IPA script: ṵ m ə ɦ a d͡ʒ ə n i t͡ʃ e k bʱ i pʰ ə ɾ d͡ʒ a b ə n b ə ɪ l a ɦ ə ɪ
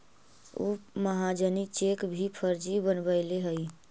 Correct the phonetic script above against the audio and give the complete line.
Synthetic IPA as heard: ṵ m ə ɦ a d͡ʒ ə n i t͡ʃ e k bʱ i pʰ ə ɾ d͡ʒ i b ə n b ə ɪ l e ɦ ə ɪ